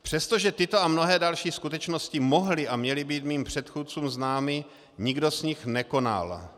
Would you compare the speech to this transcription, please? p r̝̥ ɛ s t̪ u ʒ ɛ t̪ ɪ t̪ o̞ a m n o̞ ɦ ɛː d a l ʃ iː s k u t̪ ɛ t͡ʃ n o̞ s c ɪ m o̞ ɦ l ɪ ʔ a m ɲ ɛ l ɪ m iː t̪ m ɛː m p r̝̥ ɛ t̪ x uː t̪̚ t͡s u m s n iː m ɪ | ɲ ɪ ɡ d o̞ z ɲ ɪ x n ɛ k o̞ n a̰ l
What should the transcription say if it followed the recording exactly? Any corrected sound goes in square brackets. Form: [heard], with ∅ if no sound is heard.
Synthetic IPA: p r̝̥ ɛ s t̪ [o] ʒ ɛ t̪ ɪ t̪ o̞ a m n o̞ ɦ ɛː d a l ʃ iː s k u t̪ ɛ t͡ʃ n o̞ s c ɪ m o̞ ɦ l ɪ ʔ a m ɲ ɛ l ɪ [b] iː t̪ m [iː] m p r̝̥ ɛ t̪ x uː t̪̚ t͡s [uː] m [z] n [aː] m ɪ | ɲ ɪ ɡ d o̞ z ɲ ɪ x n ɛ k o̞ n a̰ l